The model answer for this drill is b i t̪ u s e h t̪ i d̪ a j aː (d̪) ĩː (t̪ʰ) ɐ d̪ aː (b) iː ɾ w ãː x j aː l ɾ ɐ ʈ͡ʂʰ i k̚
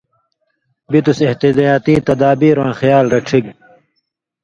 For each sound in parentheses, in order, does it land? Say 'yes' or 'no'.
no, no, yes

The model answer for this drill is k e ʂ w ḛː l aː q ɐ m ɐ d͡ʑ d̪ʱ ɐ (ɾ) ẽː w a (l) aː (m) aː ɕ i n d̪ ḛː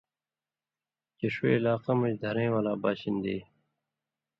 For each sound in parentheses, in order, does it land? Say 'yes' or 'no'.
yes, yes, no

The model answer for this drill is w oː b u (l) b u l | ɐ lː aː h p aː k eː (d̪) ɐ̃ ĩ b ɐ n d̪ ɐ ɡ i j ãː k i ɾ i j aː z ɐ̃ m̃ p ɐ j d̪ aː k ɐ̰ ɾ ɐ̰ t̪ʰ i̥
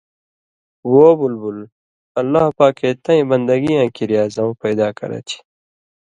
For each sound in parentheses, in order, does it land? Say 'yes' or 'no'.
yes, no

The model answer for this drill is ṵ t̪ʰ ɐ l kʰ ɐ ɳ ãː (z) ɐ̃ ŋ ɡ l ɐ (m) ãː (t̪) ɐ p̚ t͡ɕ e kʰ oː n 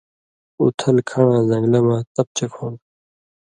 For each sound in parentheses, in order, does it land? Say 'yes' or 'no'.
yes, yes, yes

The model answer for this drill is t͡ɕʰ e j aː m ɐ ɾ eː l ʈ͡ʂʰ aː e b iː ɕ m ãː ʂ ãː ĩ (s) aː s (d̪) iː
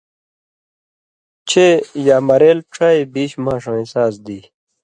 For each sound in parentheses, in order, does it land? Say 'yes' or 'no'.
yes, yes

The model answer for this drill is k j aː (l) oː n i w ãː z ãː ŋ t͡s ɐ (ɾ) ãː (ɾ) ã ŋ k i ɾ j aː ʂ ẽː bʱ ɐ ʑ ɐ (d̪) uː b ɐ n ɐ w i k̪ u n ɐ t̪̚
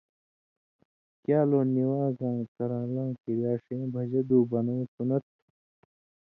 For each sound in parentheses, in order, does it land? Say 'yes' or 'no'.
yes, yes, no, yes

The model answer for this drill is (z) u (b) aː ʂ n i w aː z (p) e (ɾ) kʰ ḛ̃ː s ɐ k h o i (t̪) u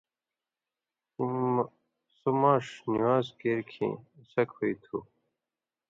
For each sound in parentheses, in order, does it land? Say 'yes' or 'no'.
no, no, no, yes, no

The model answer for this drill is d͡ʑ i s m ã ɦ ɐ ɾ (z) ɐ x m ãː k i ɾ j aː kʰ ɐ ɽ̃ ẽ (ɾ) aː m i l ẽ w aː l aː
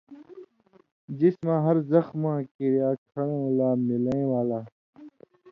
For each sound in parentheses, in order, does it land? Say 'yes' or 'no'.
yes, no

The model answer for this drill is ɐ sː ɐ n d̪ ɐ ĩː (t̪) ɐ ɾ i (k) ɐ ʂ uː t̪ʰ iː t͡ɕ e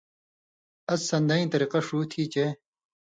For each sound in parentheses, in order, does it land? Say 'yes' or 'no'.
yes, no

